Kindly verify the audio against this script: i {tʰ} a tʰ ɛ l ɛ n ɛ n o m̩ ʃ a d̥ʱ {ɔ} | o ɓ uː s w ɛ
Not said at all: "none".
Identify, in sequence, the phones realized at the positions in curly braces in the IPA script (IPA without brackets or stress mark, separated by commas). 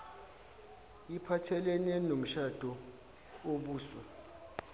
pʰ, ɔ